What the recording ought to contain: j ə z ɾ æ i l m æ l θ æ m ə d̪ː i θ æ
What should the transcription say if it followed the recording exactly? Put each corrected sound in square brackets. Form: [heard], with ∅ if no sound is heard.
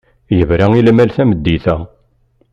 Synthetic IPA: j ə [v] ɾ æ i l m æ l θ æ m ə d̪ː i θ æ

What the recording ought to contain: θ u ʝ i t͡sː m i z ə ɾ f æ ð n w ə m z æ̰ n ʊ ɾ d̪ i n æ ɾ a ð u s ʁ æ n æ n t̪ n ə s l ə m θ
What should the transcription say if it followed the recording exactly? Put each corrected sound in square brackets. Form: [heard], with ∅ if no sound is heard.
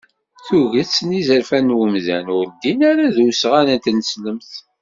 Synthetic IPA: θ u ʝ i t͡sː [n] i z ə ɾ f æ [∅] n w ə m z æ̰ n ʊ ɾ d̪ i n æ ɾ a ð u s ʁ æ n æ n t̪ n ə s l ə m θ

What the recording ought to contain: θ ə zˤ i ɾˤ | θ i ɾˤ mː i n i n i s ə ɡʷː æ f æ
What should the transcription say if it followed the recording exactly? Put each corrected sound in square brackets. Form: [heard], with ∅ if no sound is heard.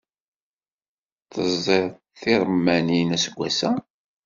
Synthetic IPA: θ ə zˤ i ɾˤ | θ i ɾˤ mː [æ] n i n [æ] s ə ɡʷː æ [s] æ

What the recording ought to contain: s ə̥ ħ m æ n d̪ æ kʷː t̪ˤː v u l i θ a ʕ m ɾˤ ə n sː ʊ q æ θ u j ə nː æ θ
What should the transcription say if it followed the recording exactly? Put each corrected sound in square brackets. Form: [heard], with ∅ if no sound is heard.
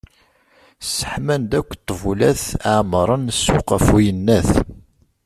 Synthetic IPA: s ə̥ ħ m æ n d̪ æ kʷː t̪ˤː v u l [æ] θ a ʕ m ɾˤ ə n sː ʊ q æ [f] u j ə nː æ θ

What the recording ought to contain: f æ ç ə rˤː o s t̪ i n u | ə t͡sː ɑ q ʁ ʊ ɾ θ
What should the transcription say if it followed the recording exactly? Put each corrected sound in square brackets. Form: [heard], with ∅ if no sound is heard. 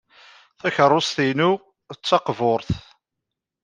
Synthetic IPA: [θ] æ ç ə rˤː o s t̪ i n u | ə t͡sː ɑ q [v] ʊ ɾ θ

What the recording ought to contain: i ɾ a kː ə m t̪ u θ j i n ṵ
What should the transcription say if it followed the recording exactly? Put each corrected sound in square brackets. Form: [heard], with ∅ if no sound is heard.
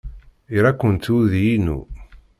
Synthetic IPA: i ɾ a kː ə [n] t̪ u [ð] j i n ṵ

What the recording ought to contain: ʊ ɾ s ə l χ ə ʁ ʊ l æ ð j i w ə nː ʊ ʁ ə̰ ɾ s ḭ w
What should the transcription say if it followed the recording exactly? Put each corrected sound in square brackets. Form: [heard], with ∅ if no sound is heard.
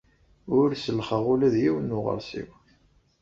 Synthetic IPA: ʊ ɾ s ə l χ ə ʁ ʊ l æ ð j i w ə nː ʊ ʁ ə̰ ɾ s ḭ w

